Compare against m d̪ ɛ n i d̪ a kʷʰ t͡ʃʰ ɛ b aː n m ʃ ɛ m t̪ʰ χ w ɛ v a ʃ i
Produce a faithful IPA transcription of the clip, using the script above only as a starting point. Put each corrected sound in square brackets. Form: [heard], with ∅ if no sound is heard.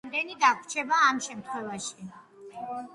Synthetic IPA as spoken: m d̪ ɛ n i d̪ a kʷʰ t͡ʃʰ ɛ b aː [∅] m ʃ ɛ m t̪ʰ χ w ɛ v a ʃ i